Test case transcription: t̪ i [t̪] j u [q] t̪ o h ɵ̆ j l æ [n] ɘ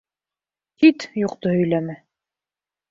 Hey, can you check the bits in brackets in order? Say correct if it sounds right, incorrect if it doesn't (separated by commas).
correct, correct, incorrect